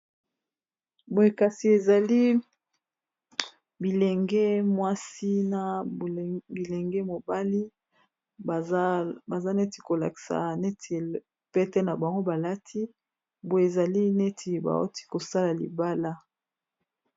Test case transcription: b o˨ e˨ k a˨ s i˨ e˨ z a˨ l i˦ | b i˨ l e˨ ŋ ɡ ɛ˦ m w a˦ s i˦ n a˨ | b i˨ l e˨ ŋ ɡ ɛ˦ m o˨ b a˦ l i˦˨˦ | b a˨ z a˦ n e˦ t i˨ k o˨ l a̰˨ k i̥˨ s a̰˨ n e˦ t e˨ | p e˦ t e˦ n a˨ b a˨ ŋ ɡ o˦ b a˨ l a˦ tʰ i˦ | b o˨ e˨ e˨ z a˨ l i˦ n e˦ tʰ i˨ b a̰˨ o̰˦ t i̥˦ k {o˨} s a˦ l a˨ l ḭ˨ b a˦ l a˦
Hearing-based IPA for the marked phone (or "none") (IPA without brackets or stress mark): o˨